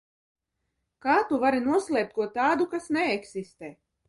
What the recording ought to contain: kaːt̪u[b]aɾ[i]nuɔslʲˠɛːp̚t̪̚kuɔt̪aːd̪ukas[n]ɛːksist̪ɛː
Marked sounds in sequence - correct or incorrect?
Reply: incorrect: v, correct, correct

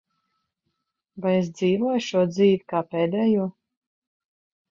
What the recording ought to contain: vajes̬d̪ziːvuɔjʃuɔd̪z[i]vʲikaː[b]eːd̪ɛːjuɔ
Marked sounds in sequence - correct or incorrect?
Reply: incorrect: iː, incorrect: p

